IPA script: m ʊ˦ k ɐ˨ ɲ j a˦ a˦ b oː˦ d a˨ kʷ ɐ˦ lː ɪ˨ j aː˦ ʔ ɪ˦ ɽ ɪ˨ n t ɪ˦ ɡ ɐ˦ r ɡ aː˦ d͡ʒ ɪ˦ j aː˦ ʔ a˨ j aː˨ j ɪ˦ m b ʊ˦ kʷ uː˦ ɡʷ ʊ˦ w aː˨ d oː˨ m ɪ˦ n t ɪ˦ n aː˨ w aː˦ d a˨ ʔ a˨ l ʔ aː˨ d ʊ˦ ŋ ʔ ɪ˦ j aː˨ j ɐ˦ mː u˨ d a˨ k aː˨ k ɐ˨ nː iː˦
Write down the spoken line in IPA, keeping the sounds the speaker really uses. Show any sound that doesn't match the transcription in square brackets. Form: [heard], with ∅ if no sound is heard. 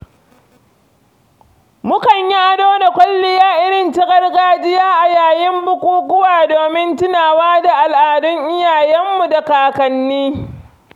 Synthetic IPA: m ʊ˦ k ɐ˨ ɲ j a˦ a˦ [d] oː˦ d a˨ kʷ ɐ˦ lː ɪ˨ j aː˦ ʔ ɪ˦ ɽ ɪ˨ n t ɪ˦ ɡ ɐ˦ r ɡ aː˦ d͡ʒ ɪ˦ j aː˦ ʔ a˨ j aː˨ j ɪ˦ m b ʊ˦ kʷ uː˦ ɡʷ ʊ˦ w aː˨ d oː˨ m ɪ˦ n t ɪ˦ n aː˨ w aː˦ d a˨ ʔ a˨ l ʔ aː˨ d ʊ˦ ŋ ʔ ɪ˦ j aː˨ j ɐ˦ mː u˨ d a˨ k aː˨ k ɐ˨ nː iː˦